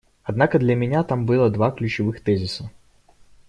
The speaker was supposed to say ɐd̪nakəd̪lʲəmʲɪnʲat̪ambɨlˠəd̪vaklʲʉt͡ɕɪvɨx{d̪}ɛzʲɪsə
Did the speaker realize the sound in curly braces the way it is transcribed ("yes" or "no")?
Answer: no